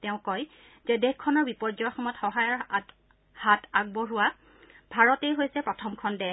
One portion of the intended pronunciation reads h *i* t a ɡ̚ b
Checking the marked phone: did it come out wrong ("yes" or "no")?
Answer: yes